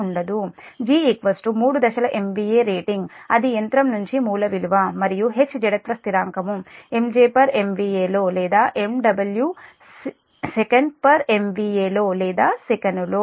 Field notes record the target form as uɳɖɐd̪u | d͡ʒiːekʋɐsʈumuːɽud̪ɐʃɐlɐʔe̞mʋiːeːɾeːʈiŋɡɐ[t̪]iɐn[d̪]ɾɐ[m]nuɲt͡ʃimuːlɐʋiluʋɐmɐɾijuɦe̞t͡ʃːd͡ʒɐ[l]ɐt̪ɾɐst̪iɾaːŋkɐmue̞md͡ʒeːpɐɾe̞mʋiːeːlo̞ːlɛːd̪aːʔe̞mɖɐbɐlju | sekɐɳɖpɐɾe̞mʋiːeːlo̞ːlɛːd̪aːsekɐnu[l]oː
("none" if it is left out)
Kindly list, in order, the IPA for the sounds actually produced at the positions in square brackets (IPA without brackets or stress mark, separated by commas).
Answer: d̪, t̪, m, ɽ, l